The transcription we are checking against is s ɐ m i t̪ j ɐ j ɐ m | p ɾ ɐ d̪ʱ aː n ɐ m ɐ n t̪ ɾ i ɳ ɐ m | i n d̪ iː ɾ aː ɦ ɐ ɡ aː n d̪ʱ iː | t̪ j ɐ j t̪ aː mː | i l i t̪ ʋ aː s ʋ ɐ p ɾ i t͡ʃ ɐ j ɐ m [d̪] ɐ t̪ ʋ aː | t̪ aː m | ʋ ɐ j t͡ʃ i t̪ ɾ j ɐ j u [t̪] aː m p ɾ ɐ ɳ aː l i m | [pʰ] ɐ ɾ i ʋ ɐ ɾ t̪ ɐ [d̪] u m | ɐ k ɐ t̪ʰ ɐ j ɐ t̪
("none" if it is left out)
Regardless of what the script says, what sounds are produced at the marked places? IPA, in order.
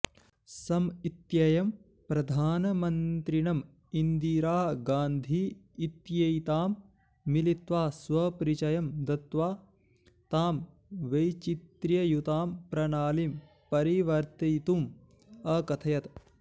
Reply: d̪, t̪, p, t̪

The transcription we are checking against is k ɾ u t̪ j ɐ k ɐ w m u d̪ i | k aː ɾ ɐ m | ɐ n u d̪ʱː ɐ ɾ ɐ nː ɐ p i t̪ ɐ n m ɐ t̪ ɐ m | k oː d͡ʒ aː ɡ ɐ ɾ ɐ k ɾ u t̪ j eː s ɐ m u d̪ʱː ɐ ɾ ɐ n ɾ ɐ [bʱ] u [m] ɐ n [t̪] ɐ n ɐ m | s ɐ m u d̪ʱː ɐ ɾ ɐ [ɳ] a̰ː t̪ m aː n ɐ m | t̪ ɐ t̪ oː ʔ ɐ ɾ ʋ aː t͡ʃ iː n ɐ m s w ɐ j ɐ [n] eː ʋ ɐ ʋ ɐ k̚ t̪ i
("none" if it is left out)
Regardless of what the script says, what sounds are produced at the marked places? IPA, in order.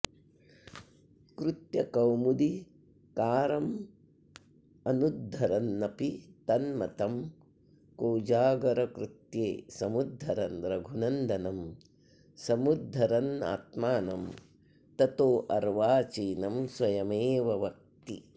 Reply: ɡʱ, n, d̪, n, m

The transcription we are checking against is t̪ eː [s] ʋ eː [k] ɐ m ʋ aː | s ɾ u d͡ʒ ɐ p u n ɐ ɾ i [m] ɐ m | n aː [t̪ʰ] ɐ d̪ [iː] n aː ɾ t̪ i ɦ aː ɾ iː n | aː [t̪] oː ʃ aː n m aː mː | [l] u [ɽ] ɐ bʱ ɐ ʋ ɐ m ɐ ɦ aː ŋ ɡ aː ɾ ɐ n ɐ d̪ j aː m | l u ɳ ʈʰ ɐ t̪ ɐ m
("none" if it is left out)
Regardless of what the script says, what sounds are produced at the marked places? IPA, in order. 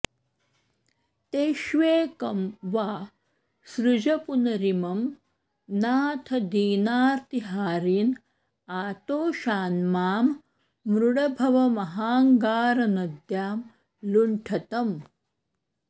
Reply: ʃ, k, m, t̪ʰ, iː, t̪, ɾ, ɽ

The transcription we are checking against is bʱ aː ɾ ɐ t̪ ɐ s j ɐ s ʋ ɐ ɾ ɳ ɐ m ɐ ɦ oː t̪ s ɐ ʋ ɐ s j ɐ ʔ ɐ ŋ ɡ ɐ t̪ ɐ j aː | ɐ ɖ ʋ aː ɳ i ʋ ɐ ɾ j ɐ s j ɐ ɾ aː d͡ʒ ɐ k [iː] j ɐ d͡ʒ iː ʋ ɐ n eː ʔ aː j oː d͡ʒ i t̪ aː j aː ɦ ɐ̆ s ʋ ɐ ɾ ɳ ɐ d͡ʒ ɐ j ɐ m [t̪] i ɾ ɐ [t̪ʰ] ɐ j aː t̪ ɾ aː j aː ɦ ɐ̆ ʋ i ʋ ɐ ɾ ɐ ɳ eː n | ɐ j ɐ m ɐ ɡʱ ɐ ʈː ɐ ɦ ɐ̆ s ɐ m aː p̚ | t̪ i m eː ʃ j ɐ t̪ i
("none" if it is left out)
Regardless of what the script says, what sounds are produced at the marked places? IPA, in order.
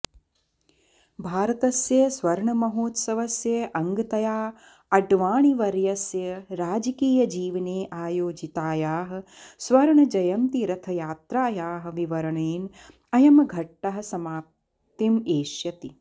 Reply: iː, t̪, t̪ʰ

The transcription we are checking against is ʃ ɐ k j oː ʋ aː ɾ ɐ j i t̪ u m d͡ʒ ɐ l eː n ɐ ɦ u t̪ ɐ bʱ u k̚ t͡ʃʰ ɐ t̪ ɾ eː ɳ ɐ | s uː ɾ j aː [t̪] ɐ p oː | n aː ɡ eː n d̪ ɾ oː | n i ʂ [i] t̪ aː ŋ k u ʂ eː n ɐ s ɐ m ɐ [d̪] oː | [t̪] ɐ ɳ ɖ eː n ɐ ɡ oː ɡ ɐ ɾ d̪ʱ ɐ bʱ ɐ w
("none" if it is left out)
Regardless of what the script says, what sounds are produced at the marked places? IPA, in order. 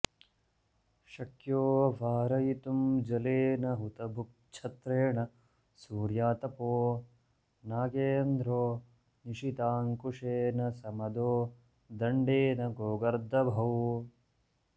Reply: t̪, i, d̪, d̪

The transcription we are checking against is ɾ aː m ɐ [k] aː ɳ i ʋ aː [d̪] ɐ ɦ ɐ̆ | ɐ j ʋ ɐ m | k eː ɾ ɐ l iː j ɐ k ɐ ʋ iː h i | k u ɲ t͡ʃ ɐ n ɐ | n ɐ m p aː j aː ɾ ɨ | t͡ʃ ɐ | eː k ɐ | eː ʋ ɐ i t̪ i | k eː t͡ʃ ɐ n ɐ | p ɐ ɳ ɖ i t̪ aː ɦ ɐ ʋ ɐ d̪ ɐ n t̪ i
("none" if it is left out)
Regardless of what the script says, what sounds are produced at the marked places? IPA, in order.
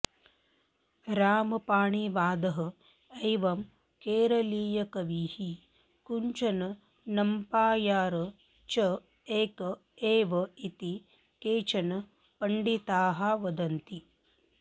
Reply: p, d̪

